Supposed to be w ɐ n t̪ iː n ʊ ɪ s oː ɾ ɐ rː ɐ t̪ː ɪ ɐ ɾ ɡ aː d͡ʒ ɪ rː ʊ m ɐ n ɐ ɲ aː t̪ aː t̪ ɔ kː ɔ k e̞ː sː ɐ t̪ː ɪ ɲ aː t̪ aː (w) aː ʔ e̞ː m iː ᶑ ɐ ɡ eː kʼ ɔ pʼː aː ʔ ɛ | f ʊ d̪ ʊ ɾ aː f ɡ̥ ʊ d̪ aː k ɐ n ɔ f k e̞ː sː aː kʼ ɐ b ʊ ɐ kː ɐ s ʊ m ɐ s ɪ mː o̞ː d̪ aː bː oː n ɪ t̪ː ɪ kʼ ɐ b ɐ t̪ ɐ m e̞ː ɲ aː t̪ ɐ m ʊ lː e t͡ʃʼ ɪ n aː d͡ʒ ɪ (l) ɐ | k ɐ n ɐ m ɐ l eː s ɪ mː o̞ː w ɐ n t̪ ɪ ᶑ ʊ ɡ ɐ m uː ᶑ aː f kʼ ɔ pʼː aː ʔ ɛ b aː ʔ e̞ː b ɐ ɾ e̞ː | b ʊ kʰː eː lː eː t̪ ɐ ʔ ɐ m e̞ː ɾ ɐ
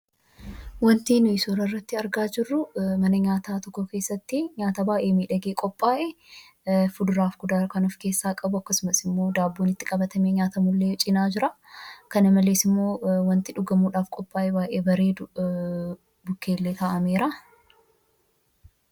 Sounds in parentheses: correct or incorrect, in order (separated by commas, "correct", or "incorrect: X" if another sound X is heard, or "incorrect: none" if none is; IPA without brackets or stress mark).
incorrect: b, incorrect: ɾ